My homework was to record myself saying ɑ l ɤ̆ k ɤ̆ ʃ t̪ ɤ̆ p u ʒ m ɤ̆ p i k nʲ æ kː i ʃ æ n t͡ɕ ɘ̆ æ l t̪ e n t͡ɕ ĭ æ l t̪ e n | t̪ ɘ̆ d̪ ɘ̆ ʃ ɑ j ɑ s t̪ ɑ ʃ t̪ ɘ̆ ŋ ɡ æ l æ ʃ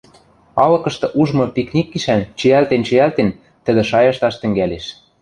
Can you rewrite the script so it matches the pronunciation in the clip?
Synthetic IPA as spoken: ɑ l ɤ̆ k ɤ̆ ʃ t̪ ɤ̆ ʔ u ʒ m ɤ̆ p i k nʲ i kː i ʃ æ n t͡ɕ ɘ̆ æ l t̪ e n t͡ɕ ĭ æ l t̪ e n | t̪ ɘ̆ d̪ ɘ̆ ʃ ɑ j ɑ ʃ t̪ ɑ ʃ t̪ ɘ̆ ŋ ɡ æ l e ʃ